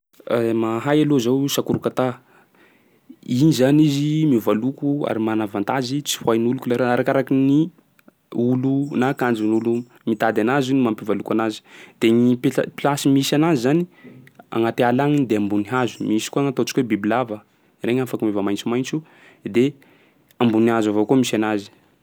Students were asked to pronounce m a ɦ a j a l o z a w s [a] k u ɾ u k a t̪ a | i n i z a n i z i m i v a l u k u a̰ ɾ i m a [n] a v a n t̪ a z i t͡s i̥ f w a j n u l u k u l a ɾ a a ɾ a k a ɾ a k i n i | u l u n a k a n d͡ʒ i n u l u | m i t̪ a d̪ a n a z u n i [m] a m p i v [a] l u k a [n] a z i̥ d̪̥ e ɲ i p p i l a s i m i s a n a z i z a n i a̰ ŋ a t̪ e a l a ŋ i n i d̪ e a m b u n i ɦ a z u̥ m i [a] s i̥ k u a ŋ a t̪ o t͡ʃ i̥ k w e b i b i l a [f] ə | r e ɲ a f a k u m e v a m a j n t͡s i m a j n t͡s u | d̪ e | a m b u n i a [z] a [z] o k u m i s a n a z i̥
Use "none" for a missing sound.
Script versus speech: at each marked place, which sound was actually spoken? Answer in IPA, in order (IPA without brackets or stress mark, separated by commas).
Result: a, n, m, a, n, i, v, z, v